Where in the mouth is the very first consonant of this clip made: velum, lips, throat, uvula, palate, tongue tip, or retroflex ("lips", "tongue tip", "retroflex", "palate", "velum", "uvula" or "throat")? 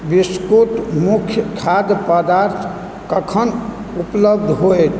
lips